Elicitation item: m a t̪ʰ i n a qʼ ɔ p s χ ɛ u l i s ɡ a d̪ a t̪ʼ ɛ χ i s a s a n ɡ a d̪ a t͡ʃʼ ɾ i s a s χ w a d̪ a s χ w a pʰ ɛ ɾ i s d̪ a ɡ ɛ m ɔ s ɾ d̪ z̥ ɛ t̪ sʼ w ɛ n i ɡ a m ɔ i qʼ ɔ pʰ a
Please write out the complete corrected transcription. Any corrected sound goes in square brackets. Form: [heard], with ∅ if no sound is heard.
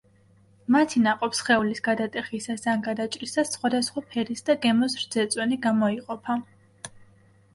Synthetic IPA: m a t̪ʰ i n a qʼ ɔ p s χ ɛ u l i s ɡ a d̪ a t̪ʼ ɛ χ i s a s a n ɡ a d̪ a t͡ʃʼ ɾ i s a s χ w a d̪ a s χ w a pʰ ɛ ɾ i s d̪ a ɡ ɛ m ɔ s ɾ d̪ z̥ ɛ t̪ sʼ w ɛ n i ɡ a m ɔ i qʼ ɔ pʰ a

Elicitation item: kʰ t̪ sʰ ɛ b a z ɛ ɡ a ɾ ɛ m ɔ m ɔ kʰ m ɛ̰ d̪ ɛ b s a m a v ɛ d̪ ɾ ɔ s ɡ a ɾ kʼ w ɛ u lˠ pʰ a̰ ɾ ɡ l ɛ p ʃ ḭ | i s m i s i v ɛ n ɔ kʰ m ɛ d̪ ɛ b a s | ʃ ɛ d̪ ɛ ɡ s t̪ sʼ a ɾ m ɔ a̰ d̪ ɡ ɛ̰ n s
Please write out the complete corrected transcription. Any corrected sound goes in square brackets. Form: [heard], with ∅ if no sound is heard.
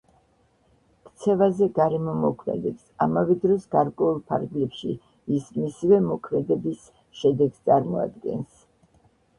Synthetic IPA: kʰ t̪ sʰ ɛ [v] a z ɛ ɡ a ɾ ɛ m ɔ m ɔ kʰ m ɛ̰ d̪ ɛ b s a m a v ɛ d̪ ɾ ɔ s ɡ a ɾ kʼ w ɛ u lˠ pʰ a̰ ɾ ɡ l ɛ p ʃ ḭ | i s m i s i v ɛ [m] ɔ kʰ m ɛ d̪ ɛ b [i] s | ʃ ɛ d̪ ɛ ɡ s t̪ sʼ a ɾ m ɔ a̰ d̪ ɡ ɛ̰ n s

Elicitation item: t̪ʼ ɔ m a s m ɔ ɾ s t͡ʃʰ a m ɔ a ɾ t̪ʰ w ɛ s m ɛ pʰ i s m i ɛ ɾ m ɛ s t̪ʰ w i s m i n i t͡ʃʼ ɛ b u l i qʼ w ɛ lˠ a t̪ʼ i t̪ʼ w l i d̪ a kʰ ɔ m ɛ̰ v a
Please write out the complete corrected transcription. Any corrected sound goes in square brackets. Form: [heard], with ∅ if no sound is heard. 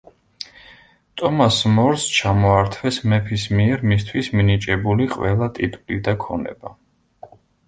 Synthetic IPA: t̪ʼ ɔ m a s m ɔ ɾ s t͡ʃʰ a m ɔ a ɾ t̪ʰ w ɛ s m ɛ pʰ i s m i ɛ ɾ m [i] s t̪ʰ w i s m i n i t͡ʃʼ ɛ b u l i qʼ w ɛ lˠ a t̪ʼ i t̪ʼ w l i d̪ a kʰ ɔ [n] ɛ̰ [b] a

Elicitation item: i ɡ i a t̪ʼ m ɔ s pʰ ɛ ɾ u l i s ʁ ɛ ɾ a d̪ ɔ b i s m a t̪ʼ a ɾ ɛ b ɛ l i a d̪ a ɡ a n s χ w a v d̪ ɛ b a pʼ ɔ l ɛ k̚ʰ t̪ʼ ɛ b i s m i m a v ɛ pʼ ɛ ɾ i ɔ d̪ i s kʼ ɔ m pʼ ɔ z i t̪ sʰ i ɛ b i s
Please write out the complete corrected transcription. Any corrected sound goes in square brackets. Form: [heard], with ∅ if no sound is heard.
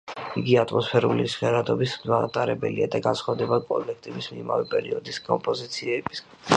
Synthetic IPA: i ɡ i a t̪ʼ m ɔ s pʰ ɛ ɾ u l i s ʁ ɛ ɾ a d̪ ɔ b i s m a t̪ʼ a ɾ ɛ b ɛ l i a d̪ a ɡ a n s χ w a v d̪ ɛ b a [kʼ] ɔ l ɛ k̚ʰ t̪ʼ ɛ b i s m i m a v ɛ pʼ ɛ ɾ i ɔ d̪ i s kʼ ɔ m pʼ ɔ z i t̪ sʰ i ɛ b i s

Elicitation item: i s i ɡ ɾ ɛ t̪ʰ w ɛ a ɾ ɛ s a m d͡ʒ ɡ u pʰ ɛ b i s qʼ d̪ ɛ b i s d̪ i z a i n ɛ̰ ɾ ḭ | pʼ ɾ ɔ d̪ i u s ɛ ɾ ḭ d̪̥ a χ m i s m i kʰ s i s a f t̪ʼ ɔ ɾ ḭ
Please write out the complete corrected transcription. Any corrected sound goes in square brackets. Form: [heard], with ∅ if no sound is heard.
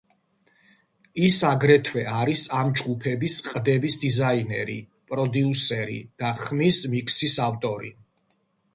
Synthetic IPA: i s [a] ɡ ɾ ɛ t̪ʰ w ɛ a ɾ [i] s a m d͡ʒ ɡ u pʰ ɛ b i s qʼ d̪ ɛ b i s d̪ i z a i n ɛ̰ ɾ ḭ | pʼ ɾ ɔ d̪ i u s ɛ ɾ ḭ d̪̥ a χ m i s m i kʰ s i s a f t̪ʼ ɔ ɾ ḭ

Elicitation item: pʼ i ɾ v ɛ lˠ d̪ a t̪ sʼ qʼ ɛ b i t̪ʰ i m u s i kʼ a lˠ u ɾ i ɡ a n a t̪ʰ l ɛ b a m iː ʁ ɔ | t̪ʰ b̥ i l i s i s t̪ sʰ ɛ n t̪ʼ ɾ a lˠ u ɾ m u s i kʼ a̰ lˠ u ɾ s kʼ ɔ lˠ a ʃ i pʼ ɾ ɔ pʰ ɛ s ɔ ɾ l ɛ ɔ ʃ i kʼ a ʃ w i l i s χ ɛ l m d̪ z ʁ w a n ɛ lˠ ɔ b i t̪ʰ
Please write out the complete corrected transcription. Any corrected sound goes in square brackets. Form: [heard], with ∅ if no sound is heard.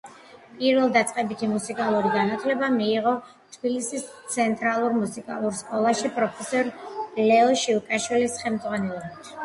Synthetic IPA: pʼ i ɾ v ɛ lˠ d̪ a t̪ sʼ qʼ ɛ b i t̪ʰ i m u s i kʼ a lˠ u ɾ i ɡ a n a t̪ʰ l ɛ b a m iː ʁ ɔ | t̪ʰ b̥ i l i s i s t̪ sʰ ɛ n t̪ʼ ɾ a lˠ u ɾ m u s i kʼ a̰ lˠ u ɾ s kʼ ɔ lˠ a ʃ i pʼ ɾ ɔ pʰ ɛ s ɔ ɾ l ɛ ɔ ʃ i kʼ a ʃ w i l i s χ ɛ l m d̪ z ʁ w a n ɛ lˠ ɔ b i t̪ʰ

